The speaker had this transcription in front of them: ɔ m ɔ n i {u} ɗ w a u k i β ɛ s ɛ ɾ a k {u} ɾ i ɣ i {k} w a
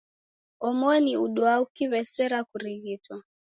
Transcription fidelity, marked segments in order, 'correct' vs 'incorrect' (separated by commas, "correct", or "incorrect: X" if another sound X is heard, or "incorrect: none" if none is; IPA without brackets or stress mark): correct, correct, incorrect: t